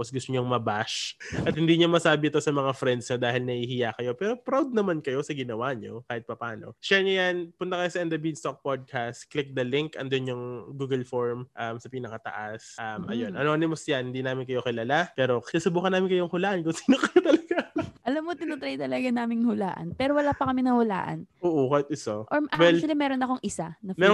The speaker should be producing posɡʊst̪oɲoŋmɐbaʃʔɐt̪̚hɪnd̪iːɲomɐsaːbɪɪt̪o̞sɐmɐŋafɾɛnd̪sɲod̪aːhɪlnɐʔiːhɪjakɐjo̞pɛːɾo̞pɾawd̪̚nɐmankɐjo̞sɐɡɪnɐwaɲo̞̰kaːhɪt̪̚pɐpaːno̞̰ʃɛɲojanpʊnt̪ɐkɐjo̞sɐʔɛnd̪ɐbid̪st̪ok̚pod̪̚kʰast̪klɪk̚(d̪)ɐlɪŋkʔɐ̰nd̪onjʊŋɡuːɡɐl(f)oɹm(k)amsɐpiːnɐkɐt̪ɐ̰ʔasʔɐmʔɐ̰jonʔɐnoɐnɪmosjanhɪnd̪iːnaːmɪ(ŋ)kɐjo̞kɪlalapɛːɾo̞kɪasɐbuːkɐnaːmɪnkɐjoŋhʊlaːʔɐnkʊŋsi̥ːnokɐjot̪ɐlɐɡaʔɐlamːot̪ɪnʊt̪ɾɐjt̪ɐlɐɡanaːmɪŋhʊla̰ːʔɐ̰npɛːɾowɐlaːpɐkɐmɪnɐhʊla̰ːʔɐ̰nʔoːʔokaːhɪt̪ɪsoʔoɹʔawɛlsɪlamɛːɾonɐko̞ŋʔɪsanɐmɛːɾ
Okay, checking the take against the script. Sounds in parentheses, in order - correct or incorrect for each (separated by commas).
correct, correct, incorrect, incorrect